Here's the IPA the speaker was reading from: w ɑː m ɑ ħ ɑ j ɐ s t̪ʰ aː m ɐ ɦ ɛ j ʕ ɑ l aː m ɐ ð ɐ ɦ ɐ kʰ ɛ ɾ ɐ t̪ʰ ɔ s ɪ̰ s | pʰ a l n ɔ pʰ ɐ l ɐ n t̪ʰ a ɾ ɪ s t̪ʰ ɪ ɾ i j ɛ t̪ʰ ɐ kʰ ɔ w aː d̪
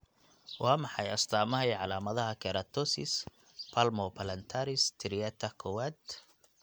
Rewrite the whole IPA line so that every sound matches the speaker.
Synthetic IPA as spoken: w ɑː m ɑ ħ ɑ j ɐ s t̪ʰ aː m ɐ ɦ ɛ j ʕ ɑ l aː m ɐ ð ɐ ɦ ɐ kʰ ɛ ɾ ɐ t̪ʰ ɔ s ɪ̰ s | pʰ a l m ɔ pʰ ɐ l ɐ n t̪ʰ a ɾ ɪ s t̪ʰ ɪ ɾ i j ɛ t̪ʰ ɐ kʰ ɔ w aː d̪

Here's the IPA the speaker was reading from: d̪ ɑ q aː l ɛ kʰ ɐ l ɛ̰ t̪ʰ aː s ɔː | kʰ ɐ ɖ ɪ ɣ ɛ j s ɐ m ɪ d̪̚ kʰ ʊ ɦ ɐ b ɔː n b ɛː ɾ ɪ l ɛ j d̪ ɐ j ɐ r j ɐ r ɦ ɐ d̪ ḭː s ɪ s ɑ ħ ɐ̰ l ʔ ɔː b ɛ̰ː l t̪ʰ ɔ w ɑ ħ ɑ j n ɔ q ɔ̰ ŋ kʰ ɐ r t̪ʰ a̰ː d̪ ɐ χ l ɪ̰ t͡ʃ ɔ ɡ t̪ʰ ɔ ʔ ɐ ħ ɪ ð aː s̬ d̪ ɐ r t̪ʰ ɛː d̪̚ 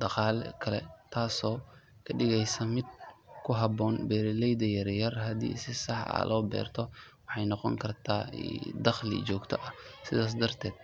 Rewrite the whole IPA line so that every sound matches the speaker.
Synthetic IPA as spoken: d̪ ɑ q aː l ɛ kʰ ɐ l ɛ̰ t̪ʰ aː s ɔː | kʰ ɐ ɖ ɪ ɣ ɛ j s ɐ m ɪ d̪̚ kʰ ʊ ɦ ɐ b ɔː n b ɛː ɾ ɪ l ɛ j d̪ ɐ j ɐ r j ɐ r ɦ ɐ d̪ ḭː s ɪ s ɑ ħ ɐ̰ l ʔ ɔː b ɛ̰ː r t̪ʰ ɔ w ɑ ħ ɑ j n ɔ q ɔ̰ ŋ kʰ ɐ r t̪ʰ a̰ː d̪ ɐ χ l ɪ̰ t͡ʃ ɔː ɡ t̪ʰ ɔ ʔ ɐ s ɪ ð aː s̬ d̪ ɐ r t̪ʰ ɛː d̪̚

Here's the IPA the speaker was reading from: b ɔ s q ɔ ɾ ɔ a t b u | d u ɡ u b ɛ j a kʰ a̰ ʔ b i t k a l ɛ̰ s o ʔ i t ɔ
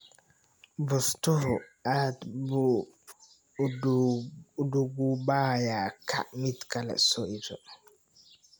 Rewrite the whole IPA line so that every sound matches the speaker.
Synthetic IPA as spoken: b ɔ s t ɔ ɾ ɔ a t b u | d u ɡ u b a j a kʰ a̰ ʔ m i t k a l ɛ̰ s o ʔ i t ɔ

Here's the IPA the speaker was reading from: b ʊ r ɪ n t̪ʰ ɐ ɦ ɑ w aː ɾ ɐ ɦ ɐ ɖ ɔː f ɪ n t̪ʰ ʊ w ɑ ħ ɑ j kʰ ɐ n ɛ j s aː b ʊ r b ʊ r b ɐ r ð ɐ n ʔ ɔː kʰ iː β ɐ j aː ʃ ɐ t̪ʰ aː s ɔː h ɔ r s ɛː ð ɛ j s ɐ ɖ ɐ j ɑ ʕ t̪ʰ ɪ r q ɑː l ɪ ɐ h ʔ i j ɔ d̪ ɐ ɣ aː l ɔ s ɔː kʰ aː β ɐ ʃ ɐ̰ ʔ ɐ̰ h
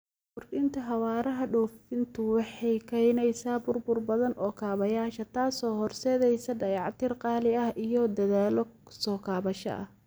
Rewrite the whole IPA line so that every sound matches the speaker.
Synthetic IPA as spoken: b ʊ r ɪ n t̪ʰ ɐ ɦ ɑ w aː ɾ ɐ ɦ ɐ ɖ ɔː f ɪ n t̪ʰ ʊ w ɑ ħ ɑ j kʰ ɐ n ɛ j s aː b ʊ r b ʊ r b ɐ ð ɐ n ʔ ɔː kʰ aː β ɐ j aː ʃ ɐ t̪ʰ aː s ɔː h ɔ r s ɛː ð ɛ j s ɐ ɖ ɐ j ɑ ʕ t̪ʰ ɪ r q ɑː l ɪ ɐ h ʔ i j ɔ d̪ ɐ ð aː l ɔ s ɔː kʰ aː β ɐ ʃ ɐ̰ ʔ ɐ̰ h

